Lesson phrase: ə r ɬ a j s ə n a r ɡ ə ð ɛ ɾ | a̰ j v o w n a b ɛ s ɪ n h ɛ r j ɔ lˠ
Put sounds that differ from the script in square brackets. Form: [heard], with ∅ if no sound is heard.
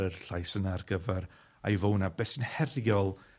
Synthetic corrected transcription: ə r ɬ a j s ə n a r ɡ ə [v] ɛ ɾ | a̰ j v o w n a b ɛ s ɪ n h ɛ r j ɔ lˠ